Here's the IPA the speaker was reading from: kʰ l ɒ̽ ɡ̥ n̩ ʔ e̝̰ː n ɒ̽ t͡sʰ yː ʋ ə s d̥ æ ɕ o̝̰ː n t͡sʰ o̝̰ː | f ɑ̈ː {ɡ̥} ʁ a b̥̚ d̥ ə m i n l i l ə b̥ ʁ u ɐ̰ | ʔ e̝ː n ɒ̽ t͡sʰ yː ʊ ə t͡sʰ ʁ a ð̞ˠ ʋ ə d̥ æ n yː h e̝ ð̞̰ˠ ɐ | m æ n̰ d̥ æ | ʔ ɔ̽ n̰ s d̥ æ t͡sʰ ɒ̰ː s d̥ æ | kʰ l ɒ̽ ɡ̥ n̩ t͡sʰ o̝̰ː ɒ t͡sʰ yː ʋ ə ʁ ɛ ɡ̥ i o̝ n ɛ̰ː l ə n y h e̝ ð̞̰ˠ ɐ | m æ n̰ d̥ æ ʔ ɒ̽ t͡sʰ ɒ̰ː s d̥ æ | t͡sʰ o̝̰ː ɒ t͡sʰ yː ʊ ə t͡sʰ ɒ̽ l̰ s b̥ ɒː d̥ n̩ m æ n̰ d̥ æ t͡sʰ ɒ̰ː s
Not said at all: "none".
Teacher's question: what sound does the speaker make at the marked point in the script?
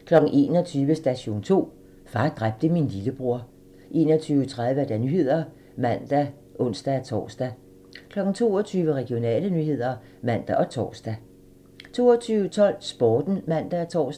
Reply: d̥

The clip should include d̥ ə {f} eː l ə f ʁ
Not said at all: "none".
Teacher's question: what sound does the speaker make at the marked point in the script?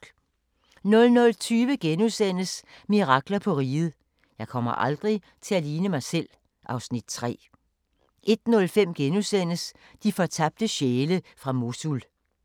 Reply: ɕ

